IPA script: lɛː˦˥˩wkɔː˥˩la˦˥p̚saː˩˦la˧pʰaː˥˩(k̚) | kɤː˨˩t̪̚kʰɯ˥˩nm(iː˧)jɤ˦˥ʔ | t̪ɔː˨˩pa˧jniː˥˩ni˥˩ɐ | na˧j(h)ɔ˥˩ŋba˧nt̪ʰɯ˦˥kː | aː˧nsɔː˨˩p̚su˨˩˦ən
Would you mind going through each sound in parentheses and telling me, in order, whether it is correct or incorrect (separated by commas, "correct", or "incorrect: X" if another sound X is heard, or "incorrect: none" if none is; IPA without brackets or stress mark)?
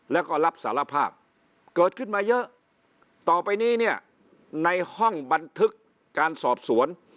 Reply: incorrect: p̚, incorrect: aː˧, correct